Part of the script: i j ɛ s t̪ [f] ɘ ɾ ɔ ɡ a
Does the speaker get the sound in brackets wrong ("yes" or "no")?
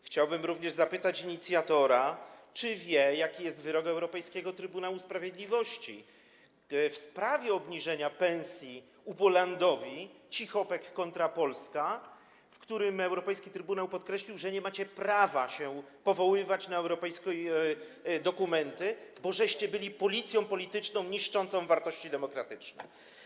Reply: yes